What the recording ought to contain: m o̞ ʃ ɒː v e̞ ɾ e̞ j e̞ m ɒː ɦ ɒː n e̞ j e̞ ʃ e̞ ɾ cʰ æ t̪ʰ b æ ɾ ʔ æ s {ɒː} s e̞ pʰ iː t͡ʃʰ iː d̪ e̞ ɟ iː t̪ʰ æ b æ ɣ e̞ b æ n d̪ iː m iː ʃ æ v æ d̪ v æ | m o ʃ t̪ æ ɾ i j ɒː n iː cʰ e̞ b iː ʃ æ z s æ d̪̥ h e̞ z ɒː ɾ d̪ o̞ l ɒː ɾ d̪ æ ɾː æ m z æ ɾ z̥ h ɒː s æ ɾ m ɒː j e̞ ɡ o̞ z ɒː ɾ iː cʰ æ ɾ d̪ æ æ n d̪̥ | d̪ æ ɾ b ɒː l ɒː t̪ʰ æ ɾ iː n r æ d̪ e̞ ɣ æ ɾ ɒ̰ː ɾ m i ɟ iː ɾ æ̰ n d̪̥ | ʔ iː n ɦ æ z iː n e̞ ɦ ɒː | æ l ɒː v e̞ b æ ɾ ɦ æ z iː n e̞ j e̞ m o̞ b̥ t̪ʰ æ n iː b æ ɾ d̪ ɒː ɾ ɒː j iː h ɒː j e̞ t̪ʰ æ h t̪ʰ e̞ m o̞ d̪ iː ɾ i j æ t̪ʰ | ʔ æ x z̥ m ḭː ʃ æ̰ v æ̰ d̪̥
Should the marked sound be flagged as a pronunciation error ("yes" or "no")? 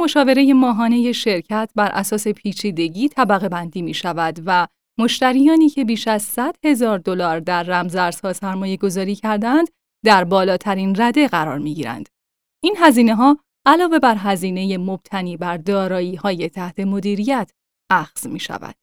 no